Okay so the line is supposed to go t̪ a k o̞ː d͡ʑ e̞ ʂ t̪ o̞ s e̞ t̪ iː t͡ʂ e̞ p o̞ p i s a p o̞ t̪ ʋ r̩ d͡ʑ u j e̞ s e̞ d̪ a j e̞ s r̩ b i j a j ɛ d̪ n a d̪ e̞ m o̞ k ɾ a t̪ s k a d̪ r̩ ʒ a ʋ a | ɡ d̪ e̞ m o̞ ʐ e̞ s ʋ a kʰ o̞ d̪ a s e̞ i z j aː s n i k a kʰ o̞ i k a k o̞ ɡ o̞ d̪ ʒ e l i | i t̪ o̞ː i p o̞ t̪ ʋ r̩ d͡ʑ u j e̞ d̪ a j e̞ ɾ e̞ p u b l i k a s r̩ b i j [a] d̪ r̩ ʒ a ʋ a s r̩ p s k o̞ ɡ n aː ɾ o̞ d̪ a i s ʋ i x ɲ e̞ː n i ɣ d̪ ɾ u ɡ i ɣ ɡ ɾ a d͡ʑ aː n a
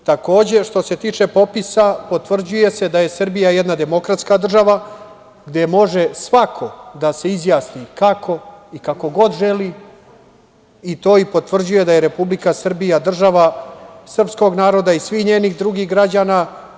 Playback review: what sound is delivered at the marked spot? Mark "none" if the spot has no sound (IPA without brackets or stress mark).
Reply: a